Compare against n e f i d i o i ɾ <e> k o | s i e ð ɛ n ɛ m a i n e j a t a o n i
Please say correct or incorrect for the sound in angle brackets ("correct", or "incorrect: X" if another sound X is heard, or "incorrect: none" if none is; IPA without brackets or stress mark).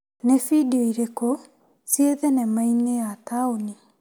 correct